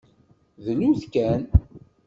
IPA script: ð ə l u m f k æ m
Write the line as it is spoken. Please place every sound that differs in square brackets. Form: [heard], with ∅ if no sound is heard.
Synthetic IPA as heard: ð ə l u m [θ] k æ [n]